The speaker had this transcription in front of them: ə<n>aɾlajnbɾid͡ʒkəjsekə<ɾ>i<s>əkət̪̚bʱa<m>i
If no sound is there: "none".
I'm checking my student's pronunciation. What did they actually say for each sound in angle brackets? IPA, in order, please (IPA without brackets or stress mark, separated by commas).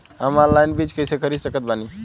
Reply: m, ɾ, s, n